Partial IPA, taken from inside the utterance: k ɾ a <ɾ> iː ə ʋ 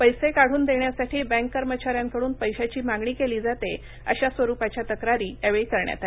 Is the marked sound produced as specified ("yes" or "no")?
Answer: yes